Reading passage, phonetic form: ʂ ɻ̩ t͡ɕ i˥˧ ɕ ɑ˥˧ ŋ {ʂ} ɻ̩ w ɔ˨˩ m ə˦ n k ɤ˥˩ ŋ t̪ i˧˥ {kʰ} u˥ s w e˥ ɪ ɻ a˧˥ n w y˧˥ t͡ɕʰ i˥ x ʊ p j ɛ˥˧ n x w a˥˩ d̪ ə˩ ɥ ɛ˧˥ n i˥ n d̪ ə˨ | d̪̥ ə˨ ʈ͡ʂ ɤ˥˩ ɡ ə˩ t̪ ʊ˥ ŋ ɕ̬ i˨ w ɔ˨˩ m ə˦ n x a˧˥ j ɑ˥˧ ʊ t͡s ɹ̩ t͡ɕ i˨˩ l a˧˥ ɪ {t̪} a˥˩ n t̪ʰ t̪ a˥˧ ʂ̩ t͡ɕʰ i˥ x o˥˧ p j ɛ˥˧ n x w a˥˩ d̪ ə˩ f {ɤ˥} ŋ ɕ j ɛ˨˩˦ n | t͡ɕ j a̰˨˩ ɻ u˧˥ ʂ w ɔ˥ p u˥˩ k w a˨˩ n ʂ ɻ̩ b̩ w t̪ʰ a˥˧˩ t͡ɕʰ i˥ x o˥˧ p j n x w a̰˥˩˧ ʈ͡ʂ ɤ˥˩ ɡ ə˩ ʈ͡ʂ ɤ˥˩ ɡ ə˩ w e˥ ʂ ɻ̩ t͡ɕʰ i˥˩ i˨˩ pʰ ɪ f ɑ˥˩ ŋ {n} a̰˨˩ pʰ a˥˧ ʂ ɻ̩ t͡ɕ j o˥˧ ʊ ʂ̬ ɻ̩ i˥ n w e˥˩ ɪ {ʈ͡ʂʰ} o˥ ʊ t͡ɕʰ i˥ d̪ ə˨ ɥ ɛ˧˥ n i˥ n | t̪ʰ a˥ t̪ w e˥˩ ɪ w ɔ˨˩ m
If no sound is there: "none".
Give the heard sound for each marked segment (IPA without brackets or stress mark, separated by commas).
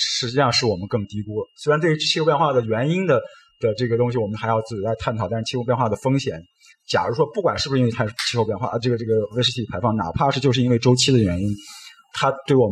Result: ʂ, k, t̪ʰ, ɤ˥, n, ʈ͡ʂ